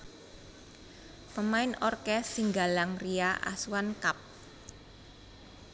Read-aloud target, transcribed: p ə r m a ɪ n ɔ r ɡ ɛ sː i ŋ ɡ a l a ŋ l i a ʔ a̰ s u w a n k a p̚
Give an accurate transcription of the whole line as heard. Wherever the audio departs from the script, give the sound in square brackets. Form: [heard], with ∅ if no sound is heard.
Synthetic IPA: p ə [∅] m a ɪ n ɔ r [k] ɛ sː i ŋ ɡ a l a ŋ [r] i a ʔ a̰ s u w a n k a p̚